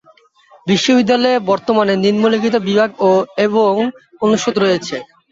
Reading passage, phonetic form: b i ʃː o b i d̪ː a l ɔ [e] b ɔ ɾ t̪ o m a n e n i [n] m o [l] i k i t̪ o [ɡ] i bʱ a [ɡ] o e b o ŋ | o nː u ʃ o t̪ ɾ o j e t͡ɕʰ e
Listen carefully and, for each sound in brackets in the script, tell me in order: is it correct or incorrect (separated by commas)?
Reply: correct, correct, correct, incorrect, correct